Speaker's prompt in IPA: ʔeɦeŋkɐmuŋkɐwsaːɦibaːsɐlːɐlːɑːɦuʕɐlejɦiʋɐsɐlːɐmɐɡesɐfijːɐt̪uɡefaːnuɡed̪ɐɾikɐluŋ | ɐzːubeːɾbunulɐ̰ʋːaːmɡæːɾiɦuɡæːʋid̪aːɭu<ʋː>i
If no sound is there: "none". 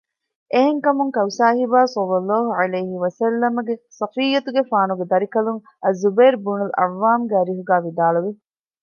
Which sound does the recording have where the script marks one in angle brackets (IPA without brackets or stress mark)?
ʋ